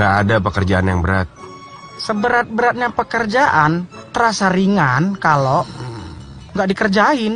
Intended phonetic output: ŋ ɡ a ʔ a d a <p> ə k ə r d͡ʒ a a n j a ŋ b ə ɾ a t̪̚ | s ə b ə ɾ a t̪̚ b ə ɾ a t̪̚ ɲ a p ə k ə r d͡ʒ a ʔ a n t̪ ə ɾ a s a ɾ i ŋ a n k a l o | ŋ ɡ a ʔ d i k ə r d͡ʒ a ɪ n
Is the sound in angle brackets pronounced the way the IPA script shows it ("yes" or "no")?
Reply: yes